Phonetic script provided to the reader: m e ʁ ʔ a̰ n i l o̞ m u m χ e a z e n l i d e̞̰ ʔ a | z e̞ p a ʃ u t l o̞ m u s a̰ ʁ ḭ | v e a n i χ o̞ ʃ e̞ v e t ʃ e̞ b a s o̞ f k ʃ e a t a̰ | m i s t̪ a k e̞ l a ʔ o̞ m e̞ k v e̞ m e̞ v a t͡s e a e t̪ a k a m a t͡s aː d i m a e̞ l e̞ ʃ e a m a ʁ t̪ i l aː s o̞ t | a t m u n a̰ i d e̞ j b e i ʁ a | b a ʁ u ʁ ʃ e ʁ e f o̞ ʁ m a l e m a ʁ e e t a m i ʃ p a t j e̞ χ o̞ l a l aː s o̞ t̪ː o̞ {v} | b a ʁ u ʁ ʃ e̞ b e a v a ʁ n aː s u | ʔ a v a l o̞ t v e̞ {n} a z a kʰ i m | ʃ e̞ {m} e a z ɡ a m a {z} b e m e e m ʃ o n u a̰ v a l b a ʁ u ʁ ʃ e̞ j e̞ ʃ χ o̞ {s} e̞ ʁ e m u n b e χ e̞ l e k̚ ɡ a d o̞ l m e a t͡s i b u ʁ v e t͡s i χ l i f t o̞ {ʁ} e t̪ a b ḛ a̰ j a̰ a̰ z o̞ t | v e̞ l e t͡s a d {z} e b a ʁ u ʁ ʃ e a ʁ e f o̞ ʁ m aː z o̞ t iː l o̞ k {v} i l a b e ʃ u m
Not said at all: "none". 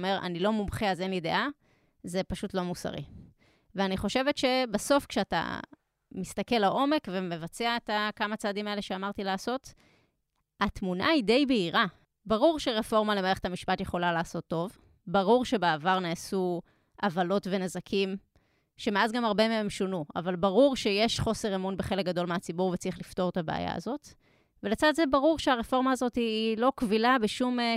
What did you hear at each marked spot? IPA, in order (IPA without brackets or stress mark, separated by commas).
v, n, m, ʁ, s, ʁ, z, v